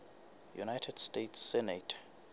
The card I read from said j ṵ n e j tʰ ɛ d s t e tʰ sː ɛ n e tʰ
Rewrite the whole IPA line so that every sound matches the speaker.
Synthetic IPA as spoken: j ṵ n a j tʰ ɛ d s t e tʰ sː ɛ n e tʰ